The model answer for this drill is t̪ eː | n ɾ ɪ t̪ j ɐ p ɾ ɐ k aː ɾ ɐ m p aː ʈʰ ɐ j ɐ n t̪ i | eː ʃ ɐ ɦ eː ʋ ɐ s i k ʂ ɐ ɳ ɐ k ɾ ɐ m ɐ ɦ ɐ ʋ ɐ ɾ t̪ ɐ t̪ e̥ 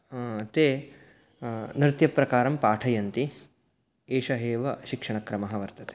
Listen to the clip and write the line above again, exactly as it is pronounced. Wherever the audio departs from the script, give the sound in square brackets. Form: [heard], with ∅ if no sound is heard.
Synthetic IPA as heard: t̪ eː | n ɾ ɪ t̪ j ɐ p ɾ ɐ k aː ɾ ɐ m p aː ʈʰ ɐ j ɐ n t̪ i | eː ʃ ɐ ɦ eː ʋ ɐ [ʃ] i k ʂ ɐ ɳ ɐ k ɾ ɐ m ɐ ɦ ɐ ʋ ɐ ɾ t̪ ɐ t̪ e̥